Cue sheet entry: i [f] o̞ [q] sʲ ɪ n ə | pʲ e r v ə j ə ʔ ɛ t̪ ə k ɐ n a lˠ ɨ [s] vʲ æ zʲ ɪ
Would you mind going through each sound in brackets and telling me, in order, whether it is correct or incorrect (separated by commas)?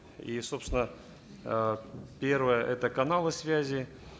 incorrect, incorrect, correct